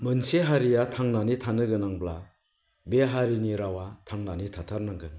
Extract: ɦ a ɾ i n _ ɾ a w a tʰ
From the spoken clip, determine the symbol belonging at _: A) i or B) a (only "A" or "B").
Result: A